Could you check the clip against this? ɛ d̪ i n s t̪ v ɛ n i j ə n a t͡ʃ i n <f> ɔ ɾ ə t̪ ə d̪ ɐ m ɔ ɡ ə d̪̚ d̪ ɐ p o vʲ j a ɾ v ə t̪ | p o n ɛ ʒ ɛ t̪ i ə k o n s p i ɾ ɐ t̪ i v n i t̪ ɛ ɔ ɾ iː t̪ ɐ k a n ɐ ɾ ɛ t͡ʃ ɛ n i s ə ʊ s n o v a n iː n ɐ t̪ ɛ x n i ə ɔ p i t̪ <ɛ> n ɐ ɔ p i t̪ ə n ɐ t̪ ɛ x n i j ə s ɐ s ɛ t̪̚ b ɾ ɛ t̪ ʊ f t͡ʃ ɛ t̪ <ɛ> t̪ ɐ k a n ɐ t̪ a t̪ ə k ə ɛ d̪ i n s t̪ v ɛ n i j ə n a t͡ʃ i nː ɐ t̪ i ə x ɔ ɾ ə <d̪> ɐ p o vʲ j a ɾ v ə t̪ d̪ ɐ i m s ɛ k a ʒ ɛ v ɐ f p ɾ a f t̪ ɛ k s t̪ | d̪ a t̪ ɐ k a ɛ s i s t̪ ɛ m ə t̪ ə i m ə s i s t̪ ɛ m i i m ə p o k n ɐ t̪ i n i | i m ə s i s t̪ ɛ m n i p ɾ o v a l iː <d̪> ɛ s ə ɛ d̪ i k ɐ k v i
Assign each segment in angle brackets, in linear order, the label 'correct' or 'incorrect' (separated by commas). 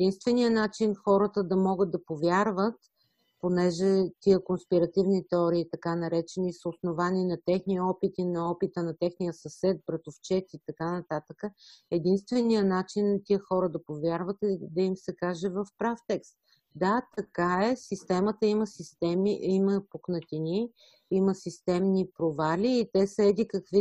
incorrect, incorrect, incorrect, correct, incorrect